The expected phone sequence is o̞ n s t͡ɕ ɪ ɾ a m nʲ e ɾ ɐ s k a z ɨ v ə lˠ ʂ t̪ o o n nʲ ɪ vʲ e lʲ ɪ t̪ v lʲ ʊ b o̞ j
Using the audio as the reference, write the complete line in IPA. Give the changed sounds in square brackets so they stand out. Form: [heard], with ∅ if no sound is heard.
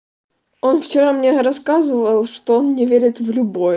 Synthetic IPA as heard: o̞ n [f] t͡ɕ ɪ ɾ a m nʲ e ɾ ɐ s k a z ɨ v ə lˠ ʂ t̪ o o n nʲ ɪ vʲ e [ɾʲ] ɪ t̪ v lʲ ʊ b o̞ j